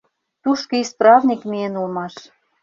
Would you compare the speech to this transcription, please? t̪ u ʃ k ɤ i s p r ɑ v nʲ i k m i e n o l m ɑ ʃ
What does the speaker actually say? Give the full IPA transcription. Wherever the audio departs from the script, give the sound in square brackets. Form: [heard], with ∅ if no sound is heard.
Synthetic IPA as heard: t̪ u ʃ k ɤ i s p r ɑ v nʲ i k m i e n [u] l m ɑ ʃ